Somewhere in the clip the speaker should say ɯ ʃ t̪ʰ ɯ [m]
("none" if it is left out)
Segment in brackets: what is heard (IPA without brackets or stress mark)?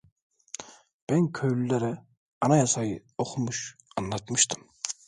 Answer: m